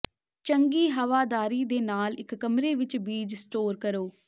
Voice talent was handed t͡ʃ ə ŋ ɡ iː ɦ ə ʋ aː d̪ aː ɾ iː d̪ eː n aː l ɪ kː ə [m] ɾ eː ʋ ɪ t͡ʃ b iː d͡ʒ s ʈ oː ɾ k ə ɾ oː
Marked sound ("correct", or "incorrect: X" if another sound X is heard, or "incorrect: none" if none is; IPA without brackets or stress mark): correct